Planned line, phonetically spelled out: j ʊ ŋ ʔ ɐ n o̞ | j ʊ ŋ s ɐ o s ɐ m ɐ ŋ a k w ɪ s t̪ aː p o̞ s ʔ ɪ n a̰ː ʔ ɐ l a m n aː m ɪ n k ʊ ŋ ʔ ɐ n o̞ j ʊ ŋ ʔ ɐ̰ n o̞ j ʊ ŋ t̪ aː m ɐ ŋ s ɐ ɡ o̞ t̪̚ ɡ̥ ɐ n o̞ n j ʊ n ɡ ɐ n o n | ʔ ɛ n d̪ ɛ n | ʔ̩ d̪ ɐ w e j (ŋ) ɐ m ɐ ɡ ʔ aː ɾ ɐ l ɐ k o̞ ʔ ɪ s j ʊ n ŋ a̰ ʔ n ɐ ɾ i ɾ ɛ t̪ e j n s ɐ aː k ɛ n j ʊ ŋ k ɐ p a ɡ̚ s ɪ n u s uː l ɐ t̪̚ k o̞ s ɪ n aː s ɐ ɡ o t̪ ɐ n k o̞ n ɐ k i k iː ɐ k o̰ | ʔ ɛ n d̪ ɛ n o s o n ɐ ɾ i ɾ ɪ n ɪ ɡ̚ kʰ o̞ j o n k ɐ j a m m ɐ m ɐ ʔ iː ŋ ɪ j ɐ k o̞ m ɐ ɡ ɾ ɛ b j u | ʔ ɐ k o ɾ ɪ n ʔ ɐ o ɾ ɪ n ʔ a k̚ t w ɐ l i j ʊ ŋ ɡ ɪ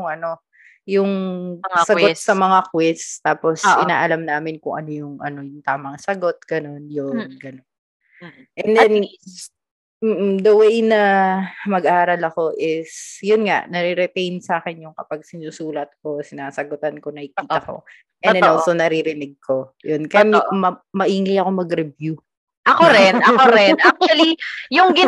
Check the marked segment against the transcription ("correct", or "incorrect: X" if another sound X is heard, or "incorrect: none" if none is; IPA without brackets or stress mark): incorrect: n